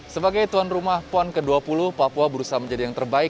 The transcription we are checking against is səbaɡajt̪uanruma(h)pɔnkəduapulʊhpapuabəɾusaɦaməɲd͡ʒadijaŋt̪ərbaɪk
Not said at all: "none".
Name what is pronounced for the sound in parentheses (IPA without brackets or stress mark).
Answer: h